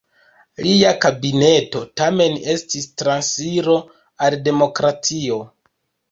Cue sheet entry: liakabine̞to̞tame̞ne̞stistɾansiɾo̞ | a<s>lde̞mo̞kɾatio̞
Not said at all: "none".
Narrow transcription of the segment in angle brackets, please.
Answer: none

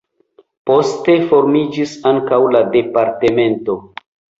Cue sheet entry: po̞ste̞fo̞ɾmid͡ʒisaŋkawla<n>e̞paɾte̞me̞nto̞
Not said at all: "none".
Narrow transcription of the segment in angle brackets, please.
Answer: d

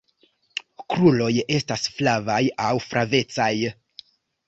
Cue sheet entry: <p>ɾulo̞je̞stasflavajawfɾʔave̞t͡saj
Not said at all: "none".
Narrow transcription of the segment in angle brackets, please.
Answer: k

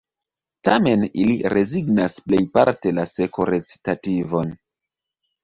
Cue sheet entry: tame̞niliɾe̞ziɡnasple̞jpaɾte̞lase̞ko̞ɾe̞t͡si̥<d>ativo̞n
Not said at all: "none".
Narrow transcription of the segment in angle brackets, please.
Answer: t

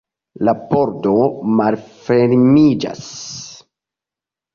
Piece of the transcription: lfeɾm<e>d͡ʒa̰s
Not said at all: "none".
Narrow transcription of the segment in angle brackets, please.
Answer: i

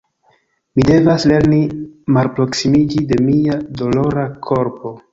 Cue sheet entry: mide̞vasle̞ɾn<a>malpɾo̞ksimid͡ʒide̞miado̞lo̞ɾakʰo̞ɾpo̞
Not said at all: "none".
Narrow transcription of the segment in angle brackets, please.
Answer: i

